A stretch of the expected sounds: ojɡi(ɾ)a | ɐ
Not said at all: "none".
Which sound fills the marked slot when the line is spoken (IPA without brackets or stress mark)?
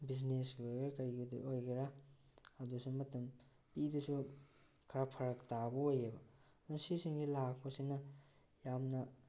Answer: ɾ